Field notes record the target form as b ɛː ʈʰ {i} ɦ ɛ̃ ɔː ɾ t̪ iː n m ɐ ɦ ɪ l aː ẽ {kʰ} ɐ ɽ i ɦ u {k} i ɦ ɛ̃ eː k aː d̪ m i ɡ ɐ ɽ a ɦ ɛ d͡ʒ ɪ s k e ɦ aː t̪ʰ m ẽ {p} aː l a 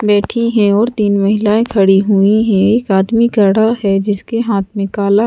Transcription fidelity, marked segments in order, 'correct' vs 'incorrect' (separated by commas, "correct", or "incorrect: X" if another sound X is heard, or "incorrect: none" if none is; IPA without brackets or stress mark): correct, correct, incorrect: none, incorrect: k